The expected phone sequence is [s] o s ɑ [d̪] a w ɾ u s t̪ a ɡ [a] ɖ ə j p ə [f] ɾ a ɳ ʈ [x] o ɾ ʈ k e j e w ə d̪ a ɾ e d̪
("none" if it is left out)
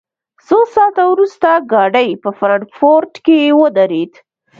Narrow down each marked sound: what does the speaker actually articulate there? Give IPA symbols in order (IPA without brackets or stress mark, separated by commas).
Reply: s, t̪, ɑ, f, f